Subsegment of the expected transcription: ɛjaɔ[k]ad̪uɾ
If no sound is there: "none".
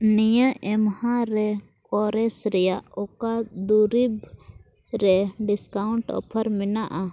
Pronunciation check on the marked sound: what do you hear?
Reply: k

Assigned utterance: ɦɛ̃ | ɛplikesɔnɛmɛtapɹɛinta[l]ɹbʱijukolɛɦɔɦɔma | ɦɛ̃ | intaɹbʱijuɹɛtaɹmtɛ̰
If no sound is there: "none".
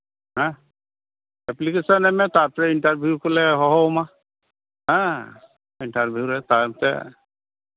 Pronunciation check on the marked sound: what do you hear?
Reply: none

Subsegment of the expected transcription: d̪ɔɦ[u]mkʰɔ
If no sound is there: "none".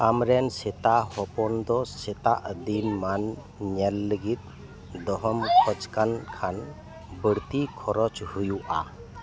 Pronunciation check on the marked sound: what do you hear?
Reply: ɔ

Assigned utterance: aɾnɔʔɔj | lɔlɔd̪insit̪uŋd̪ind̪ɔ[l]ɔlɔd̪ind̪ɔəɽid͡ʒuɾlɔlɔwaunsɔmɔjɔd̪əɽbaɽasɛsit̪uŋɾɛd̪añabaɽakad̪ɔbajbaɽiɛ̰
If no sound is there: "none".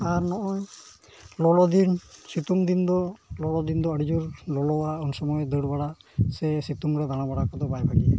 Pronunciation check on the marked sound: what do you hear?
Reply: l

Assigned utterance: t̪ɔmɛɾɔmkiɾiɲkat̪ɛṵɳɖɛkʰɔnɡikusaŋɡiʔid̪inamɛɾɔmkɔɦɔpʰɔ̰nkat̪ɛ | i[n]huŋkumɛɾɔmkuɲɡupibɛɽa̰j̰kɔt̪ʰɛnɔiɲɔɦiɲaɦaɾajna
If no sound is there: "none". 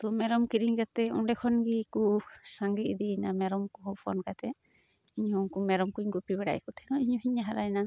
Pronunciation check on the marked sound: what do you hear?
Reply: ɲ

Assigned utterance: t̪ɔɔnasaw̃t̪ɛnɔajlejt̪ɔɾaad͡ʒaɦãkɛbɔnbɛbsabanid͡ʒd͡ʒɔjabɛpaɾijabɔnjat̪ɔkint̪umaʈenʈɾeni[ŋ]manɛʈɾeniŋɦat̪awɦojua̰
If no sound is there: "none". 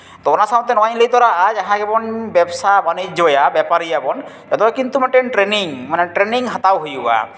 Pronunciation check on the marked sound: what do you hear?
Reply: ŋ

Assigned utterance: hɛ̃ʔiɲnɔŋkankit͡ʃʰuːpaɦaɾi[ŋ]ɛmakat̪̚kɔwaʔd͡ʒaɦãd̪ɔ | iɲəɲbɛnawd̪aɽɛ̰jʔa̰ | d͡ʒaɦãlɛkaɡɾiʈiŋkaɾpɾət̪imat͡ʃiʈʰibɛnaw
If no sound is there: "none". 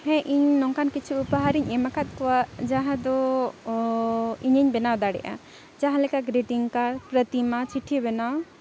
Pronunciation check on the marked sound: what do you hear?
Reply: ɲ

